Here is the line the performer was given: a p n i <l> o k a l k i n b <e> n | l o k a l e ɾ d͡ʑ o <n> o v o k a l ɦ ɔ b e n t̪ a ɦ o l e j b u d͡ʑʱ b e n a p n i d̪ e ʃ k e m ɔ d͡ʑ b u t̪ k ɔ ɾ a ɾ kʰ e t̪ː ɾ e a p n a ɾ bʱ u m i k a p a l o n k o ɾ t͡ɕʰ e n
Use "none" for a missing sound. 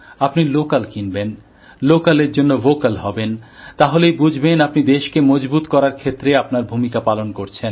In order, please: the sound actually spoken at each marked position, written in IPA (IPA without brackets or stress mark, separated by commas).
l, e, nː